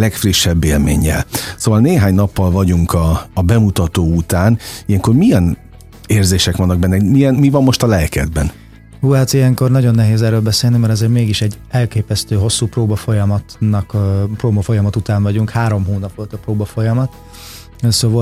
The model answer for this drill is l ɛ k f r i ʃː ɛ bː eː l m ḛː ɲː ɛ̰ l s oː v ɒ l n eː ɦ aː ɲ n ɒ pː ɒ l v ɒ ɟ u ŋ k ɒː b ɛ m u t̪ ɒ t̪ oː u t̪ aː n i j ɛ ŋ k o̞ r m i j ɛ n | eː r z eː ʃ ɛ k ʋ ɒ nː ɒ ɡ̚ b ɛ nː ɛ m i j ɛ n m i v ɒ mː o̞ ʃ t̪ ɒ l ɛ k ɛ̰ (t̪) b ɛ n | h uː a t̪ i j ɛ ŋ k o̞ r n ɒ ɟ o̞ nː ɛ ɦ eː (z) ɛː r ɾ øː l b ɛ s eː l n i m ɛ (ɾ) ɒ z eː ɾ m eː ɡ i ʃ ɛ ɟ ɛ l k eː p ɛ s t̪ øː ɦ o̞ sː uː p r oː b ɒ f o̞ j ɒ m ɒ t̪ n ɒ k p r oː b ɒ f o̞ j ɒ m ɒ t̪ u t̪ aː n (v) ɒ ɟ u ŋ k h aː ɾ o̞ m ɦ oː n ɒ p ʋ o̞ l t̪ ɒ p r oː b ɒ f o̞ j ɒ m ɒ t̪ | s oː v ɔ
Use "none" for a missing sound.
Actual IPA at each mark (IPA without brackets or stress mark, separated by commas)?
d̪, z, ɾ, v